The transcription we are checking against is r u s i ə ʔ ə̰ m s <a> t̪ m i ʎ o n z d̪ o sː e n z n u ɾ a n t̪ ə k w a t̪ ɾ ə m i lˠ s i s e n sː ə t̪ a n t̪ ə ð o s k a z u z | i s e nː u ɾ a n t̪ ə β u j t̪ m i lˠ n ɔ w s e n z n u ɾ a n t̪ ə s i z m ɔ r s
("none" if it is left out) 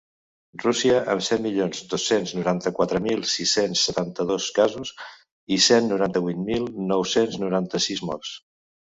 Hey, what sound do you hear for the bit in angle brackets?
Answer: ɛ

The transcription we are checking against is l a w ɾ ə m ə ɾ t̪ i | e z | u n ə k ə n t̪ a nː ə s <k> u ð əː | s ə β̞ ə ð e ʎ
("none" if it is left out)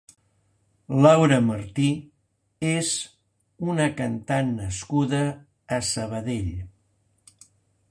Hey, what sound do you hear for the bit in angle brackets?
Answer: k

